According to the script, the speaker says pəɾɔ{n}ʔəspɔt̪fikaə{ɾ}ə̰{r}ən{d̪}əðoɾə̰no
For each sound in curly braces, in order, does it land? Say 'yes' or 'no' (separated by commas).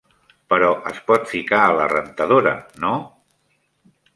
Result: no, no, yes, no